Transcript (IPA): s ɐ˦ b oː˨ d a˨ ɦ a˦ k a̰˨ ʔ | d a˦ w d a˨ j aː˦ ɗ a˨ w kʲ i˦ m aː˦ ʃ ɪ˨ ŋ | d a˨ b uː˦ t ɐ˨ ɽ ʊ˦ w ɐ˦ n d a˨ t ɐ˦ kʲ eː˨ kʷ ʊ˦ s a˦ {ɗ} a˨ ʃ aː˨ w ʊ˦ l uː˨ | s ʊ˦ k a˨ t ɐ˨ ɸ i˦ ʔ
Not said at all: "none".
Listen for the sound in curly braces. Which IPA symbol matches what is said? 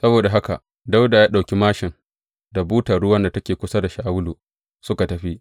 d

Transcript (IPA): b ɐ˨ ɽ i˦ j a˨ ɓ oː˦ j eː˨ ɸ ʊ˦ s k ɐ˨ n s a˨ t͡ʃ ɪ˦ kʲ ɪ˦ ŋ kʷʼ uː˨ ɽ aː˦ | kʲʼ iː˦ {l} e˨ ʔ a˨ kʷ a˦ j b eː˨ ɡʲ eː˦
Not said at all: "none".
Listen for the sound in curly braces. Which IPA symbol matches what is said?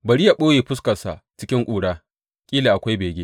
l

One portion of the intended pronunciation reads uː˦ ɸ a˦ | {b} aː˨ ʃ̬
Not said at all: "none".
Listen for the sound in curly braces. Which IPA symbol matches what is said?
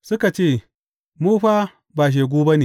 b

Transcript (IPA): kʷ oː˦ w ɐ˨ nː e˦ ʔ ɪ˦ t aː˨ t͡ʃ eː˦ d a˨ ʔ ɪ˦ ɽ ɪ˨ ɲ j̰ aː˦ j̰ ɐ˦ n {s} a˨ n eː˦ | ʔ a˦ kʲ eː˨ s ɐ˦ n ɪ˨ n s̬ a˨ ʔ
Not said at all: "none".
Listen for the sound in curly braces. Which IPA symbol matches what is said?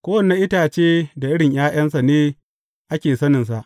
s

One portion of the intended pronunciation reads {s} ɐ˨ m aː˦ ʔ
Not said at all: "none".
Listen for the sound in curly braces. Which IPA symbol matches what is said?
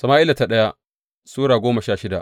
s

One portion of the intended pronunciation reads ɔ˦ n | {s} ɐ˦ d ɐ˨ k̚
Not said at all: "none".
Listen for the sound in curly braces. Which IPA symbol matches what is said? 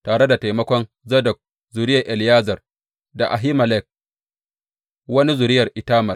z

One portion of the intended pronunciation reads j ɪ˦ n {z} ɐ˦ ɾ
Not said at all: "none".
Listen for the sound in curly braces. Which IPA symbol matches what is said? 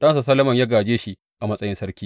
s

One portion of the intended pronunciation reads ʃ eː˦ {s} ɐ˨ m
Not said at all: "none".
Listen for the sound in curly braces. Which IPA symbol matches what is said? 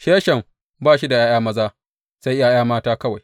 ʃ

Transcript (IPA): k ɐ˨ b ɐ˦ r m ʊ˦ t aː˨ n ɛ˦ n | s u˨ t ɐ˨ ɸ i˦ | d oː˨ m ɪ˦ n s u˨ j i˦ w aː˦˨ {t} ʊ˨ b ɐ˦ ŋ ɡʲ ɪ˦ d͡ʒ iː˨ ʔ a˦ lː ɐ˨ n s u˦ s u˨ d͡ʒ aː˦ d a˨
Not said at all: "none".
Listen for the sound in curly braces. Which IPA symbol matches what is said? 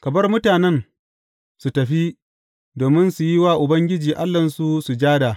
ʔ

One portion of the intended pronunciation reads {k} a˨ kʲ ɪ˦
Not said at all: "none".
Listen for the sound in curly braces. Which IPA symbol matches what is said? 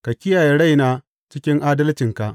k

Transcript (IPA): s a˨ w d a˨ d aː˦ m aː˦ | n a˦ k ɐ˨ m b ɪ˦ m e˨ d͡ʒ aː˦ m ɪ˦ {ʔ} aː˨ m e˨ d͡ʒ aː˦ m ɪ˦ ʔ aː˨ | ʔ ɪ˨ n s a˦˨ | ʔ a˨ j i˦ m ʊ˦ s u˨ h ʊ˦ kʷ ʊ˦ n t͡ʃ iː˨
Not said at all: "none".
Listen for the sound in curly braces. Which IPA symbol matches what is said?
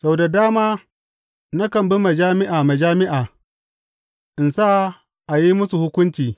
ʔ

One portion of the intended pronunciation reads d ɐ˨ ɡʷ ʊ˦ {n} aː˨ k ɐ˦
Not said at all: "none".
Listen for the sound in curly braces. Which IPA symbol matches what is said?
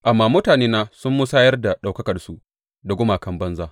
m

